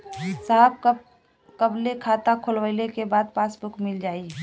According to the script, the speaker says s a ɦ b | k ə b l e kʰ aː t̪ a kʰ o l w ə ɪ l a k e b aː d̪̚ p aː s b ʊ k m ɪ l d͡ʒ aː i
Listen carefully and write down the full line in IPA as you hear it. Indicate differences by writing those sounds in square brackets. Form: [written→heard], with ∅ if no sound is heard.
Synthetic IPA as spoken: s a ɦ b | k ə b l e kʰ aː t̪ a kʰ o l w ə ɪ l [a→e] k e b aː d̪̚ p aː s b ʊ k m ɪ l d͡ʒ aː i